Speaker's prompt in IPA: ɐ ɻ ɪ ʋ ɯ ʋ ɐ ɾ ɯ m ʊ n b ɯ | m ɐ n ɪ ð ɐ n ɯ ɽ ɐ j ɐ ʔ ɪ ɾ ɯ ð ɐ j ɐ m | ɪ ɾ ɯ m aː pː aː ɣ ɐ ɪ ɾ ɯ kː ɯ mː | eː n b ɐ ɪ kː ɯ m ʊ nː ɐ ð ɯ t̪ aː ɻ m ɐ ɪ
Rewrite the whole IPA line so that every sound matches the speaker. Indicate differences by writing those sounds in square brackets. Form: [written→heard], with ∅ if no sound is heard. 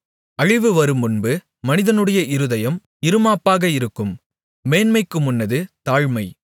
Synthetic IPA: ɐ ɻ ɪ ʋ ɯ ʋ ɐ ɾ ɯ m ʊ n b ɯ | m ɐ n ɪ ð ɐ n ɯ ɽ ɐ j ɐ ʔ ɪ ɾ ɯ ð ɐ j ɐ m | ɪ ɾ ɯ m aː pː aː ɣ ɐ ɪ ɾ ɯ kː ɯ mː | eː n [b→m] ɐ ɪ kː ɯ m ʊ nː ɐ ð ɯ t̪ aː ɻ m ɐ ɪ